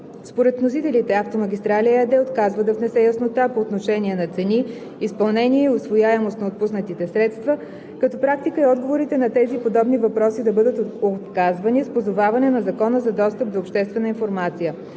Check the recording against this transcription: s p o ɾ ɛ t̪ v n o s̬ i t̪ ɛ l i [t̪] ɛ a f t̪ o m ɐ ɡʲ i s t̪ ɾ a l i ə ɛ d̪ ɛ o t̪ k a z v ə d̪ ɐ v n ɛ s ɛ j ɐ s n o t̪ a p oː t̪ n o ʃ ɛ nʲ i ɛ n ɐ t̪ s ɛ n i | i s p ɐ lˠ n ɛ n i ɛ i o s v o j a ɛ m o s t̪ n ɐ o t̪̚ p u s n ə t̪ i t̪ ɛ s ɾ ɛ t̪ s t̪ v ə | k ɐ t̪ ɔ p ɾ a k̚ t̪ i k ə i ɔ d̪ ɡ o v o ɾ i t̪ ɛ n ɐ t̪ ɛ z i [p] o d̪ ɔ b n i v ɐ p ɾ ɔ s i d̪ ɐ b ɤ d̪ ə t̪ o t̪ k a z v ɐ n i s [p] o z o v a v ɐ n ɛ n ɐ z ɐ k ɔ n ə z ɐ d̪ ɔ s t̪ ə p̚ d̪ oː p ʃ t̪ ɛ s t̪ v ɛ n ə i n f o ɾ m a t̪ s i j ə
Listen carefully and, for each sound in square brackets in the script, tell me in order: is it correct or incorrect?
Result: correct, correct, correct

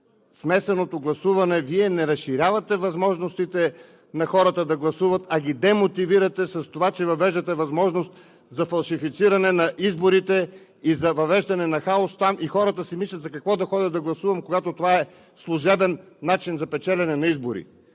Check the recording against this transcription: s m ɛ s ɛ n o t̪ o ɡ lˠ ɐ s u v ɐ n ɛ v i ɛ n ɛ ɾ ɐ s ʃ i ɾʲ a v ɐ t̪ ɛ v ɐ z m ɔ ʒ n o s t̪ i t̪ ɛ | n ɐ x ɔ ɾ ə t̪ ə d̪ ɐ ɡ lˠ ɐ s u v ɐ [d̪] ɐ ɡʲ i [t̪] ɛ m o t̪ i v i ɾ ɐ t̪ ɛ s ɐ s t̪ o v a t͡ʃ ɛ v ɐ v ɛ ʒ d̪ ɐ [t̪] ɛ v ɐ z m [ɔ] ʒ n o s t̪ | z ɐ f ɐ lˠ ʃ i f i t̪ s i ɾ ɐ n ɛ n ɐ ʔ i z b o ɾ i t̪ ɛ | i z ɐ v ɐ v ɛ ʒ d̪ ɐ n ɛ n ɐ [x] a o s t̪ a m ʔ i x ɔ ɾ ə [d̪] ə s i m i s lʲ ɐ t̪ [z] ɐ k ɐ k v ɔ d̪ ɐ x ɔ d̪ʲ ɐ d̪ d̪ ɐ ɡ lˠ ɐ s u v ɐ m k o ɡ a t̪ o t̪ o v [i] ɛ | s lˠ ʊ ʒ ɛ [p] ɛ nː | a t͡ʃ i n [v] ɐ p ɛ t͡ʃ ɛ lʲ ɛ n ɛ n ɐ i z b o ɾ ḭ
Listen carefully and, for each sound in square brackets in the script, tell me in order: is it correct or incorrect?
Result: incorrect, incorrect, correct, correct, correct, incorrect, correct, incorrect, incorrect, incorrect

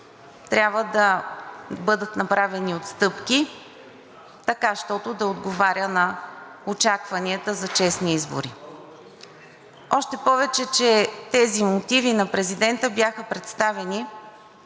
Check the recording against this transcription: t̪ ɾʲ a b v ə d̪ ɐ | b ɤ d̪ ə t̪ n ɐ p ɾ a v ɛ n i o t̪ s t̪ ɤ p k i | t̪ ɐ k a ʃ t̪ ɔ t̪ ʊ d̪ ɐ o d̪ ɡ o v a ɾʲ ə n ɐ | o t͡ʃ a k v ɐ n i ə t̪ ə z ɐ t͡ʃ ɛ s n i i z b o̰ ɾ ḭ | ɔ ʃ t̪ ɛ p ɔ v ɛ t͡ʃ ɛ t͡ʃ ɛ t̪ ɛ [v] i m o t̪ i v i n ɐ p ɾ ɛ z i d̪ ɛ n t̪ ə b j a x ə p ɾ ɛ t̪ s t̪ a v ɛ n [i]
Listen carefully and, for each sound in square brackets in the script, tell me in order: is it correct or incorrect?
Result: incorrect, correct

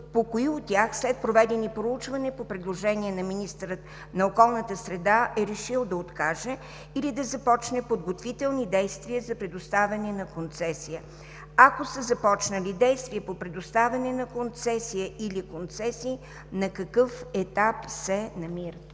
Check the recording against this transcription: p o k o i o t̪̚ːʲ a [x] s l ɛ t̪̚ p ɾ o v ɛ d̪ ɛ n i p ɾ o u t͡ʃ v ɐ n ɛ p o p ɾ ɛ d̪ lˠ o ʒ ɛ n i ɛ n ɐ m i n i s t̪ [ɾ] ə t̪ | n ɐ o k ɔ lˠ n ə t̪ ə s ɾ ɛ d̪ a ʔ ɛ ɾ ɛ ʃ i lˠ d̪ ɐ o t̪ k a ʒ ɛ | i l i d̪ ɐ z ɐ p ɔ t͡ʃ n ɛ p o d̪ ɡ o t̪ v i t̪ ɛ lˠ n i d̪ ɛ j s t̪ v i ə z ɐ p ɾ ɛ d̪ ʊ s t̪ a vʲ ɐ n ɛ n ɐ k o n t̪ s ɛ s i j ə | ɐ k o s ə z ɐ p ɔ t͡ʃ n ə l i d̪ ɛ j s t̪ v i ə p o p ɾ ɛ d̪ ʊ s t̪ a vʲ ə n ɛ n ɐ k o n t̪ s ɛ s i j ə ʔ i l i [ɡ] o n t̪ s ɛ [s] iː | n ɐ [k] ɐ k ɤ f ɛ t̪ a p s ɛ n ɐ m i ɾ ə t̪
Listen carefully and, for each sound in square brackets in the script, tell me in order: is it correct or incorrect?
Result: correct, correct, incorrect, correct, correct

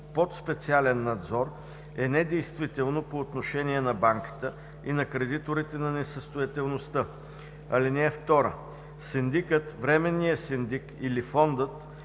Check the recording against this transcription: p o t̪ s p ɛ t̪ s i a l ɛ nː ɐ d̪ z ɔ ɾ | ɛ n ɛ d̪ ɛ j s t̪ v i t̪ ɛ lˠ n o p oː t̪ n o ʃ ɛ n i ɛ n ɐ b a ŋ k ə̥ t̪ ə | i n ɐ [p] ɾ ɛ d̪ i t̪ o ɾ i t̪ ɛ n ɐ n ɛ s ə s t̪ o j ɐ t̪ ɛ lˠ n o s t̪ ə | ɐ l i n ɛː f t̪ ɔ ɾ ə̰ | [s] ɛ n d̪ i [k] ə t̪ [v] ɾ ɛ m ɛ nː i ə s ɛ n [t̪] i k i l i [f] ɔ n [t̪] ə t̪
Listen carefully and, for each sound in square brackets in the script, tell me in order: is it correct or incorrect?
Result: incorrect, correct, correct, correct, incorrect, correct, incorrect

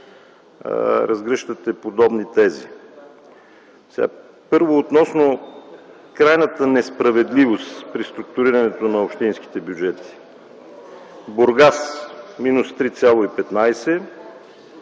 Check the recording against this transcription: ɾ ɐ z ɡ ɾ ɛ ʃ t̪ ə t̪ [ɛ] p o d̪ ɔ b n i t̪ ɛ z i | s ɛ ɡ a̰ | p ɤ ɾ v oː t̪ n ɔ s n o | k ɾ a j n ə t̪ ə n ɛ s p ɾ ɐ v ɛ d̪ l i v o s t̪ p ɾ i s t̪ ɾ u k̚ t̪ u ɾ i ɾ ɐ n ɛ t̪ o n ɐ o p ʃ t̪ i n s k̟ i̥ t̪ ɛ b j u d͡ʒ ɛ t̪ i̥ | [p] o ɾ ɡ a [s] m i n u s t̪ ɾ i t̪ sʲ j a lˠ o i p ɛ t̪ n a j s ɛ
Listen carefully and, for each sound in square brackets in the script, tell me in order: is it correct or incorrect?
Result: correct, incorrect, correct

